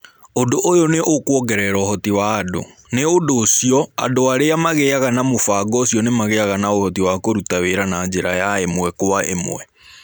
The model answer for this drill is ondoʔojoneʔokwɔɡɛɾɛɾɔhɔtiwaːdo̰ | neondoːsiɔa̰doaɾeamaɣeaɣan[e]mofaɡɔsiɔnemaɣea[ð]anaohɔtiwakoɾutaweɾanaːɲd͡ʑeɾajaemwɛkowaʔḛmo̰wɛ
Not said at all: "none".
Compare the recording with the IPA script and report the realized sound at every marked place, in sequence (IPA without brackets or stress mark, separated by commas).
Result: a, ɣ